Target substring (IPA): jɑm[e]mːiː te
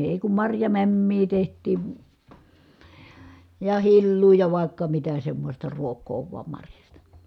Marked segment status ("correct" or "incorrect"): incorrect